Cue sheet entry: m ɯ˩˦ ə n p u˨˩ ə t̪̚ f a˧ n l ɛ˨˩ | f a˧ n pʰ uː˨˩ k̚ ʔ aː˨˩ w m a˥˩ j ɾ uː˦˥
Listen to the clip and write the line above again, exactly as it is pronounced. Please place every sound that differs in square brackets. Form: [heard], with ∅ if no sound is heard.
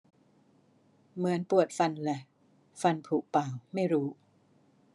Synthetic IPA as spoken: m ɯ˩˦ ə n p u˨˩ ə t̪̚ f a˧ n l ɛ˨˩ | f a˧ n pʰ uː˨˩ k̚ [p] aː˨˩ w m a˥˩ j ɾ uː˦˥